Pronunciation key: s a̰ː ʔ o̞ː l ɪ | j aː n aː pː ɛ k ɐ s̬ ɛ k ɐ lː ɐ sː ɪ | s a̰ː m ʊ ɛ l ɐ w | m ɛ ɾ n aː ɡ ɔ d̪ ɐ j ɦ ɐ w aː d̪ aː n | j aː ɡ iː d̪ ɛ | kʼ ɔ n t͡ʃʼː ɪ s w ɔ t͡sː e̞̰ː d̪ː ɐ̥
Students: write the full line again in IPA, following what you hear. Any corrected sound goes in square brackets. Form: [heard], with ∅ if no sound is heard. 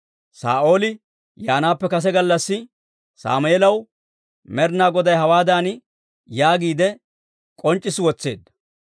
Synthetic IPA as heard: s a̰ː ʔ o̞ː l ɪ | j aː n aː pː ɛ k ɐ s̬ ɛ [ɡ] ɐ lː ɐ sː ɪ | s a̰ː m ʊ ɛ l ɐ w | m ɛ ɾ n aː ɡ ɔ d̪ ɐ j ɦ ɐ w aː d̪ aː n | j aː ɡ iː d̪ ɛ | kʼ ɔ n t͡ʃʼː ɪ s w ɔ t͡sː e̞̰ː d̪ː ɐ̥